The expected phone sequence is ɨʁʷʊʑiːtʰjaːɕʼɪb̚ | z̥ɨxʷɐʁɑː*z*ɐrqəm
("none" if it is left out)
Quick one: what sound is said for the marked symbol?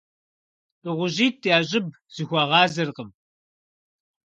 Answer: z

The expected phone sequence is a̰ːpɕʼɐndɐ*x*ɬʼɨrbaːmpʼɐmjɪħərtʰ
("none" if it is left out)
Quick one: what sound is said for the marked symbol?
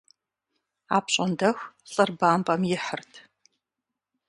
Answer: x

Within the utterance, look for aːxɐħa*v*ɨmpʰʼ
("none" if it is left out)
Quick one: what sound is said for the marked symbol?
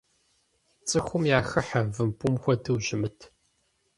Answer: v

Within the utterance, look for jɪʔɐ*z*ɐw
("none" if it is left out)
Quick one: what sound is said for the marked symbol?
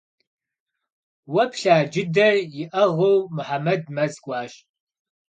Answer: ʁ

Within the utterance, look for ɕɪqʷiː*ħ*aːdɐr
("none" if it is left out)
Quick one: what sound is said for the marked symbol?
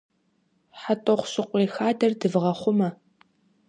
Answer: x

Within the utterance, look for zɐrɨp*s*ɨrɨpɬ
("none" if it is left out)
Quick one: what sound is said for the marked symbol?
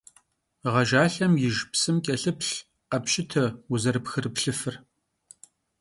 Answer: x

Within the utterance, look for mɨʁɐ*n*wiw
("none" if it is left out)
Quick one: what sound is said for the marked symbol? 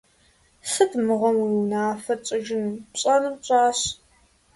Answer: m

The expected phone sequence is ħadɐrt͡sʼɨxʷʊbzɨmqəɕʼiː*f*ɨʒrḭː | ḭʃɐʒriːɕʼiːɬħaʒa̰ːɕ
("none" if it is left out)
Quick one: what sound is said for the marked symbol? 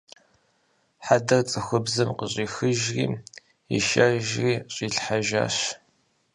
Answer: x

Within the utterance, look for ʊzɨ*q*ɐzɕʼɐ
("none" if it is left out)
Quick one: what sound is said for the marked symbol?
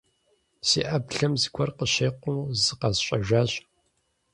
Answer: q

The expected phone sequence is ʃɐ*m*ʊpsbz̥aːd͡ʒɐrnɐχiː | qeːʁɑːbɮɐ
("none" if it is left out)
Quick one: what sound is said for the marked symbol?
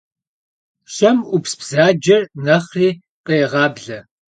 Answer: m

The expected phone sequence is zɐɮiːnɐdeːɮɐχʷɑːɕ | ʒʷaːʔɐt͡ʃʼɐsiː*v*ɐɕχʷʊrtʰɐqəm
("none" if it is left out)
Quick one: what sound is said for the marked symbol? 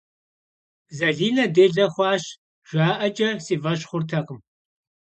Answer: v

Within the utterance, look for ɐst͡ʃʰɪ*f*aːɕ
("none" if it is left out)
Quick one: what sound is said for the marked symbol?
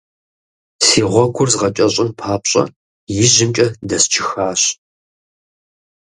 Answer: x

